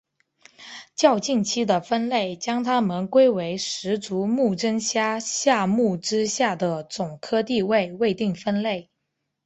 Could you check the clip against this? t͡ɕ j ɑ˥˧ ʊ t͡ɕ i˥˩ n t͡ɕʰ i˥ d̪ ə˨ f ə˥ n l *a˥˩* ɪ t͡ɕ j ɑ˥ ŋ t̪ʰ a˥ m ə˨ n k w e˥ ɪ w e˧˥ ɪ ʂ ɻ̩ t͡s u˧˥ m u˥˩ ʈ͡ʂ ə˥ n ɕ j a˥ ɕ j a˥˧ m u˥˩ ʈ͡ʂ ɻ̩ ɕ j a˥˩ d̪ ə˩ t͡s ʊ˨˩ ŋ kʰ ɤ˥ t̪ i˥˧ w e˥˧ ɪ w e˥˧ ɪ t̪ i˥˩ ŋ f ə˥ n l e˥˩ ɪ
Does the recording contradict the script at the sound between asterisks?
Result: yes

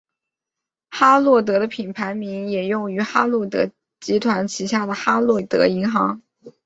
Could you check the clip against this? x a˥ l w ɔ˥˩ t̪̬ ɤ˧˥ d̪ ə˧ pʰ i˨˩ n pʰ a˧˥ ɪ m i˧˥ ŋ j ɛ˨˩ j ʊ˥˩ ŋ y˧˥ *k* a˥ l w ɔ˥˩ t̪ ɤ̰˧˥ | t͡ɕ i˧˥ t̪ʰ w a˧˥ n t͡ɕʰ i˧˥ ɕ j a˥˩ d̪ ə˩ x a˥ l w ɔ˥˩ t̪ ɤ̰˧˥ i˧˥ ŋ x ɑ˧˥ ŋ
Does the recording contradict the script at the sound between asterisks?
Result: yes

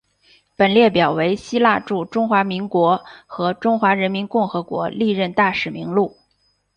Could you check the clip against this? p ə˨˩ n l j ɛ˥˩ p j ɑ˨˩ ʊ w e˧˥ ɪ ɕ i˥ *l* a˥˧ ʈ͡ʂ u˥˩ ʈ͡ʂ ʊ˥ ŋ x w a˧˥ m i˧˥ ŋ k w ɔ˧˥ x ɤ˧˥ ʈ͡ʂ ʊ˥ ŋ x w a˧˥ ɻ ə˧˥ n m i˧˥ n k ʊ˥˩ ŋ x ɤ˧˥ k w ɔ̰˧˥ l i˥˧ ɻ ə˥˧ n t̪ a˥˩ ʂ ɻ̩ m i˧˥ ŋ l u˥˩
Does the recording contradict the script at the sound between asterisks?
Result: no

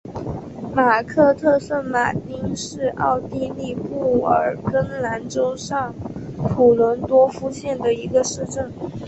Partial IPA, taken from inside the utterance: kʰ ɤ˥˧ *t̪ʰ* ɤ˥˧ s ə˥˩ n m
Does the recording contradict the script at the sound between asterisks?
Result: no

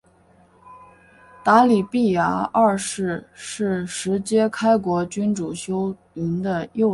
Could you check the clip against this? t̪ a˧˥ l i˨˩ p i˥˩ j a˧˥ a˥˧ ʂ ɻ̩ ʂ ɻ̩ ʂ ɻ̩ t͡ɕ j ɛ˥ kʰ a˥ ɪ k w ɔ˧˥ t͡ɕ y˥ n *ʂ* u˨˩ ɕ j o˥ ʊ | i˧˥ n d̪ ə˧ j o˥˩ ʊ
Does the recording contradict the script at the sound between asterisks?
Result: yes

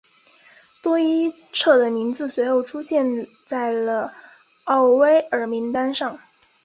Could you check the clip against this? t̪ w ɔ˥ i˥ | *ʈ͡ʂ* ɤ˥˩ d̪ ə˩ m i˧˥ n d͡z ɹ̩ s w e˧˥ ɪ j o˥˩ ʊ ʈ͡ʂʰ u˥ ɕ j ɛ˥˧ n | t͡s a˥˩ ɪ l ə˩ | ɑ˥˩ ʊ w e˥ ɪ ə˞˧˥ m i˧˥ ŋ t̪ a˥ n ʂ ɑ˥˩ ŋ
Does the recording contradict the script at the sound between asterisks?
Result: yes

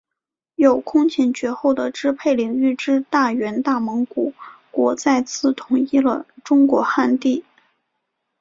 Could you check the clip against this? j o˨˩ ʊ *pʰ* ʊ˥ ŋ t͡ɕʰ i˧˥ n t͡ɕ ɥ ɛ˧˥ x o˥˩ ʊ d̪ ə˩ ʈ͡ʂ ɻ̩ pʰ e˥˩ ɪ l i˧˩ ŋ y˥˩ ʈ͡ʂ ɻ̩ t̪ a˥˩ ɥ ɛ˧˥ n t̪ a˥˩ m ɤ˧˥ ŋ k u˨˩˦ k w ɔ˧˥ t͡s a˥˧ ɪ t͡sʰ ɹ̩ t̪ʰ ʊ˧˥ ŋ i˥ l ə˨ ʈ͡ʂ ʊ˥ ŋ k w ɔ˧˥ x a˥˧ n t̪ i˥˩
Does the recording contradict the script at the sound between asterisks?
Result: yes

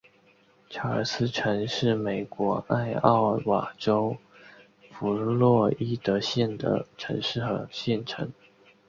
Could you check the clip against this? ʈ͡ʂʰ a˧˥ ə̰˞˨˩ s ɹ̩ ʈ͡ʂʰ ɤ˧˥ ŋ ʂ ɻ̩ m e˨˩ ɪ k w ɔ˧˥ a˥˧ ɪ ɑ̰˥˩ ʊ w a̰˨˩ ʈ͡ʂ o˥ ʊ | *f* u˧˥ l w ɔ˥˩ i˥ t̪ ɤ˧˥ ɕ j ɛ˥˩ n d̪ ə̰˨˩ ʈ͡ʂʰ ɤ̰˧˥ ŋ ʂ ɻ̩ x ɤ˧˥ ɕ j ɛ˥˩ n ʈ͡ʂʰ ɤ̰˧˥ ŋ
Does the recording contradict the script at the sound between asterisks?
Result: no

